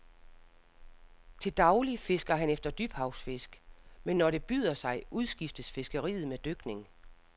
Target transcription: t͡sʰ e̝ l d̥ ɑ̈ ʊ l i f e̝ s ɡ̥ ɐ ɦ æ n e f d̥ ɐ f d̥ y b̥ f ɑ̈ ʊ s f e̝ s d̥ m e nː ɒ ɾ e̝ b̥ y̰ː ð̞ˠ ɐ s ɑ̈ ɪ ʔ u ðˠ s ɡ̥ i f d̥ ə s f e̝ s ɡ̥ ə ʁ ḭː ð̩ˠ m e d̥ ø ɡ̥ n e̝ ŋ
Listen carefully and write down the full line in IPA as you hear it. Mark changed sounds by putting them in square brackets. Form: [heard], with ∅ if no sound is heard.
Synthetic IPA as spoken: t͡sʰ e̝ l d̥ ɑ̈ ʊ l i f e̝ s ɡ̥ ɐ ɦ æ n e f d̥ ɐ [∅] d̥ y b̥ [h] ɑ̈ ʊ s f e̝ s [ɡ̥] m e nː ɒ ɾ e̝ b̥ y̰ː ð̞ˠ ɐ s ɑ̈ ɪ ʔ u ðˠ s ɡ̥ i f d̥ ə s f e̝ s ɡ̥ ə ʁ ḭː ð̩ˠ m e d̥ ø ɡ̥ n e̝ ŋ